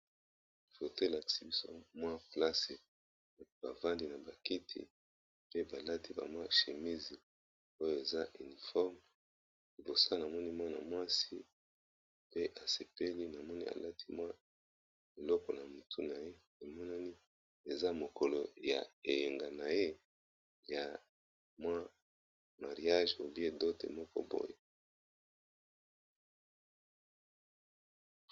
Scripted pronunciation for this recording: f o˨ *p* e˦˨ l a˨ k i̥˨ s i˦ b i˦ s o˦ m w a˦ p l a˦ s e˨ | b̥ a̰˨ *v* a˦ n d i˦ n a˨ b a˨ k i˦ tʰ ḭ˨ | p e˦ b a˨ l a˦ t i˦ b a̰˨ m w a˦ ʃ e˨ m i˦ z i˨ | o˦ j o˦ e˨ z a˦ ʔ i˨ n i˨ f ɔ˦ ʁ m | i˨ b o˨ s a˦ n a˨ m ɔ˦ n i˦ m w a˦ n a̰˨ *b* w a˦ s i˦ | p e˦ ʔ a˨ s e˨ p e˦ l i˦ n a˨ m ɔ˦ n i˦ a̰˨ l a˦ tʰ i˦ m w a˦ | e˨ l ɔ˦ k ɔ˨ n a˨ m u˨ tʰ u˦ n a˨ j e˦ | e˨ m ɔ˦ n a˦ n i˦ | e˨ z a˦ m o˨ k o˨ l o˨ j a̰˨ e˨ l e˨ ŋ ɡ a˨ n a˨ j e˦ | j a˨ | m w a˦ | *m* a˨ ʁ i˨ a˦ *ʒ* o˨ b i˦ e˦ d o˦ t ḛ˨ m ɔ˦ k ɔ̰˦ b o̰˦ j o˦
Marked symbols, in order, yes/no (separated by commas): no, yes, no, yes, yes